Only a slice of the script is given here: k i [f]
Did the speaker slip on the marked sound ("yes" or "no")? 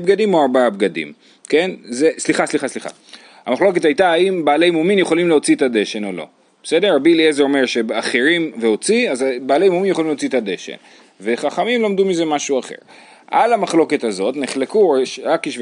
yes